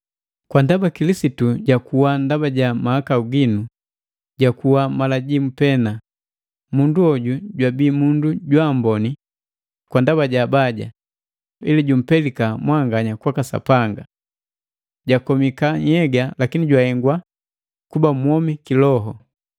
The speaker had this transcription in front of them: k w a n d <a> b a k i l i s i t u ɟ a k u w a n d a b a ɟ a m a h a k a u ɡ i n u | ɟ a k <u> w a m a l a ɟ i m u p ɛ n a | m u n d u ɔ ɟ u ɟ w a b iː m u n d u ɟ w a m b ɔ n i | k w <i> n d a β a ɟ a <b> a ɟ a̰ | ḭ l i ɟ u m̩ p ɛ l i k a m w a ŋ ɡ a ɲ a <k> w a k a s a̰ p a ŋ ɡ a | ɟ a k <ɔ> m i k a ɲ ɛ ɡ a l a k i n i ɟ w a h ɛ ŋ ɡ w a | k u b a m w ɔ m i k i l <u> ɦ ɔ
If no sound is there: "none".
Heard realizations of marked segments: a, u, a, b, k, ɔ, ɔ

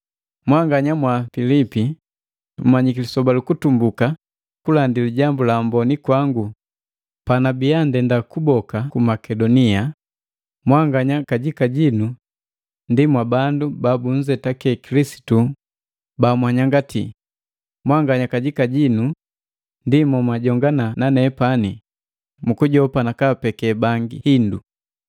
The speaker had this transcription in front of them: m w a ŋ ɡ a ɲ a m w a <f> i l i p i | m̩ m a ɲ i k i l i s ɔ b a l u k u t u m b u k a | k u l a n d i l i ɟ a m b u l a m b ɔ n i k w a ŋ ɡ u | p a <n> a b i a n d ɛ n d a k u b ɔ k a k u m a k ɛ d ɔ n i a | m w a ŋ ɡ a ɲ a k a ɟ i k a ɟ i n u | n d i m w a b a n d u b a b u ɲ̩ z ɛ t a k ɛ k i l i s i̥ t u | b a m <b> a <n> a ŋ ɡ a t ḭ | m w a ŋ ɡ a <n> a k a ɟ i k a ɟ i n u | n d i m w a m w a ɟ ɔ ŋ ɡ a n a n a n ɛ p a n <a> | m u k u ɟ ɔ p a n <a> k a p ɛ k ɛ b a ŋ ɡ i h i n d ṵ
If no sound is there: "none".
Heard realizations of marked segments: f, n, w, ɲ, ɲ, i, a

